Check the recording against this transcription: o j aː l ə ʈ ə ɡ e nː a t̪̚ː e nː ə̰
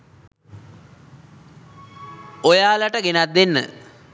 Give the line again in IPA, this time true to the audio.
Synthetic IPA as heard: o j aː l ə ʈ ə ɡ e n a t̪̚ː e nː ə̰